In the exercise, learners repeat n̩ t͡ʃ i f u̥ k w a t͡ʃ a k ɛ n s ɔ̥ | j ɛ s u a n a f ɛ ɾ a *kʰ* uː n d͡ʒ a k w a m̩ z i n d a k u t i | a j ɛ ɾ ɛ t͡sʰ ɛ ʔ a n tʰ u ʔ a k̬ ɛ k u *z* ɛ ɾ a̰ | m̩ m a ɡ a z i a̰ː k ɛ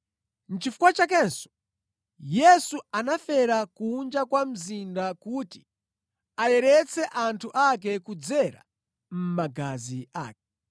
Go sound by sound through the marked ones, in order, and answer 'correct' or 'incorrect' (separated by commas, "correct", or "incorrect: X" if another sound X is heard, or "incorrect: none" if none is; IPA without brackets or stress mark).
incorrect: k, incorrect: d͡z